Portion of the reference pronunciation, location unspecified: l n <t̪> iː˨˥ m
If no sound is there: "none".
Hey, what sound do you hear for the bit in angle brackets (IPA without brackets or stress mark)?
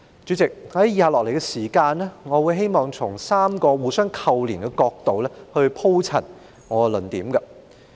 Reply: t̪